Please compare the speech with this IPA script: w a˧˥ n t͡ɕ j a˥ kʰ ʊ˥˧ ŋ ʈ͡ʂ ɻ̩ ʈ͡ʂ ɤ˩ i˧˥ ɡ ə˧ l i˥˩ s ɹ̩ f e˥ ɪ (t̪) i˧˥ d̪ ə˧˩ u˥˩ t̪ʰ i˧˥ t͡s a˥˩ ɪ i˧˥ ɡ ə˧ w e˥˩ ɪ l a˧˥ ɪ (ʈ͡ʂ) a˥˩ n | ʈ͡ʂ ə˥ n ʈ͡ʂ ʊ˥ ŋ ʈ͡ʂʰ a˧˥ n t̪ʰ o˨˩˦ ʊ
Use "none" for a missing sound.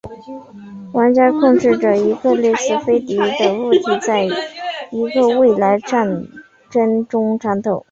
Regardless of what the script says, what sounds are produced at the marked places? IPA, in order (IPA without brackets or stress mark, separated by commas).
t̪, ʈ͡ʂ